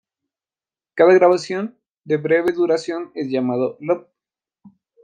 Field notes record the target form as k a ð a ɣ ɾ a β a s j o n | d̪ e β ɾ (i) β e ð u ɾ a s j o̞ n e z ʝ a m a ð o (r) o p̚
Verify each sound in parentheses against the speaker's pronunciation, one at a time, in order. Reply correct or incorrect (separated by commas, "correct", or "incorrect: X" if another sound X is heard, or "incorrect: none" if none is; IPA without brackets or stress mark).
incorrect: e, incorrect: l